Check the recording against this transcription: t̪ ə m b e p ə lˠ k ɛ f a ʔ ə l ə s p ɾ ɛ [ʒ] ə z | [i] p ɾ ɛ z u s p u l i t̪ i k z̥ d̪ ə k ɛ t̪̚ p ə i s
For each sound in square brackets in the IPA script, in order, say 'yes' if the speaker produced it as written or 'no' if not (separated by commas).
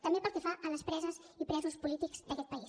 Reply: no, yes